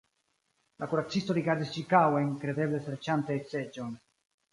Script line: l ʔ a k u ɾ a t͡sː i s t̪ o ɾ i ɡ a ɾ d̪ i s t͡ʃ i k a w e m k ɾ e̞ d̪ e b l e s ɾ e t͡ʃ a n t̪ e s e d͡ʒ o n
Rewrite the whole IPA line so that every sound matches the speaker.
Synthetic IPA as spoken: l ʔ a k u ɾ a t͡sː i s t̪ o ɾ i ɡ a ɾ d̪ i s t͡ʃ i k a w e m k ɾ e̞ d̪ e b l e s ɾ e t͡ʃ a n t̪ e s e d͡ʒ o n